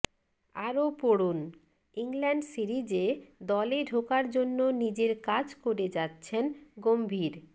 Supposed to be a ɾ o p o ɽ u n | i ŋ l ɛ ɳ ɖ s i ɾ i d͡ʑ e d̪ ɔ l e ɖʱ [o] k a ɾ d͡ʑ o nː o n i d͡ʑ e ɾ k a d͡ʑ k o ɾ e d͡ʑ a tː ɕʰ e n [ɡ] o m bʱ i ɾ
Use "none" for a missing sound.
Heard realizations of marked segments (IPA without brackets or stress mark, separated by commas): o, ɡ